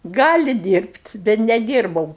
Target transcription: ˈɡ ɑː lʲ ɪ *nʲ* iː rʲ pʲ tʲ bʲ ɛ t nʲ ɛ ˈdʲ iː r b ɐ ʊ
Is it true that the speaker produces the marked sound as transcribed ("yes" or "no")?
no